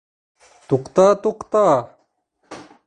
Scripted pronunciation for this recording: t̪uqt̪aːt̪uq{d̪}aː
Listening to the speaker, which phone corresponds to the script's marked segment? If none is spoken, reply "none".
t̪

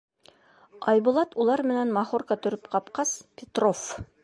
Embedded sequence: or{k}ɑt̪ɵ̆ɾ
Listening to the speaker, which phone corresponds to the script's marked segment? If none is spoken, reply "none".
k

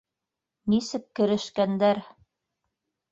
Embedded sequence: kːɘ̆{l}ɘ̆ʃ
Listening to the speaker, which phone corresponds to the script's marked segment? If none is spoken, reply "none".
ɾ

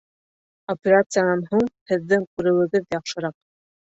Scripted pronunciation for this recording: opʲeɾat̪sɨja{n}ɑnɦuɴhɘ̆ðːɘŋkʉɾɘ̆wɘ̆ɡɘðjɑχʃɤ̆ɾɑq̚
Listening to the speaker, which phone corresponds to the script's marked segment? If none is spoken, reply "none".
n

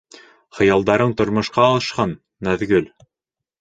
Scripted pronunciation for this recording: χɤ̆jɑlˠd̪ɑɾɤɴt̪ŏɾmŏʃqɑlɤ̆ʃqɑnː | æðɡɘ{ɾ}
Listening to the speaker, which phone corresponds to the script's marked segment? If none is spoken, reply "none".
l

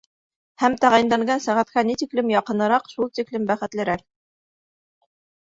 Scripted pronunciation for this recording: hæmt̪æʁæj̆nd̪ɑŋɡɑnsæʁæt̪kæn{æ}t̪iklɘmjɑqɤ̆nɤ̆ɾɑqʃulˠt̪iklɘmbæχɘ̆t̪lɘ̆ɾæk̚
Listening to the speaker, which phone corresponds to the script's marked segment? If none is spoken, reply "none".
i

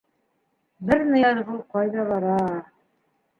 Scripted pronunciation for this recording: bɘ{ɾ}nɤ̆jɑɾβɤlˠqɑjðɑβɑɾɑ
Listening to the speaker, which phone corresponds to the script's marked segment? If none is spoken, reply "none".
ɾ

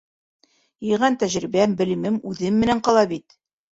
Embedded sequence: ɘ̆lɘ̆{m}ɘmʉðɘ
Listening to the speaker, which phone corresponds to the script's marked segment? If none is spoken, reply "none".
m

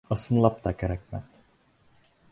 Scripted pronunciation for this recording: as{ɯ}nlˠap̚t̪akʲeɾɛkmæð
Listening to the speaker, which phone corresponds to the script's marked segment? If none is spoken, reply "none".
ɯ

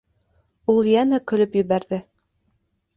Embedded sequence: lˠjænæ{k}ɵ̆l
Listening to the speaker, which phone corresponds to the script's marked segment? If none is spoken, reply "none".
k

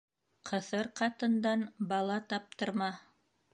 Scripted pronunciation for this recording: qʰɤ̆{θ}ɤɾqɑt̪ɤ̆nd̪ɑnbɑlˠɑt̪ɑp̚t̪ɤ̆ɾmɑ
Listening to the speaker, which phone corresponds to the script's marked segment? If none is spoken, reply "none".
θ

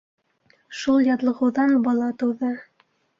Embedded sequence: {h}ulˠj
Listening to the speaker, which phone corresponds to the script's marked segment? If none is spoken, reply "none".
ʃ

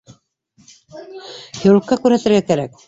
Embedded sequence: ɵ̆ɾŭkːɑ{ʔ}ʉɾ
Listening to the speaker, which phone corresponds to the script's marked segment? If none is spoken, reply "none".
k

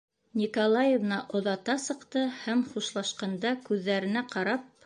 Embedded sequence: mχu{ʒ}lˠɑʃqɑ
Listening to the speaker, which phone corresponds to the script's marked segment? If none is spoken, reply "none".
ʃ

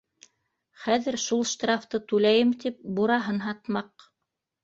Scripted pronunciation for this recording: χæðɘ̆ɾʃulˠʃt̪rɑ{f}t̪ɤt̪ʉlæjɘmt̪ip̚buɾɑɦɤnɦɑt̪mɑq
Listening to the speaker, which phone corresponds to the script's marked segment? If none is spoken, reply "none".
f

